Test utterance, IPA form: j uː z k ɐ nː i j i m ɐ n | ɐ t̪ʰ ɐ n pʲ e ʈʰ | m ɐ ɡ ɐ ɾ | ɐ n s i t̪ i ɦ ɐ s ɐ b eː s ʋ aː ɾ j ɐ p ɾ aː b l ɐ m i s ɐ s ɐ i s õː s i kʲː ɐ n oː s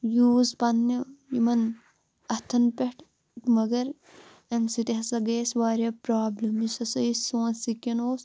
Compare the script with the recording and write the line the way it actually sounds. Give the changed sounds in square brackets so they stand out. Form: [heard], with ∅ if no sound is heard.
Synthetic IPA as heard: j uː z [p] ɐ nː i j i m ɐ n | ɐ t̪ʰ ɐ n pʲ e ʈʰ | m ɐ ɡ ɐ ɾ | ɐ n s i t̪ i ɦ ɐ s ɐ [ɡ] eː s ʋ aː ɾ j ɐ p ɾ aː b l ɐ m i s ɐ s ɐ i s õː s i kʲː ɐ n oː s